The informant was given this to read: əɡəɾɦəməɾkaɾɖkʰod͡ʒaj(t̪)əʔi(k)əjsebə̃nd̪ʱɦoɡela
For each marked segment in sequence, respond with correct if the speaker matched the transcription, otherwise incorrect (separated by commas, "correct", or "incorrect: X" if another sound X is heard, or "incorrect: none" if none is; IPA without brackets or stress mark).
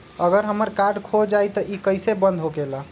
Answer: correct, correct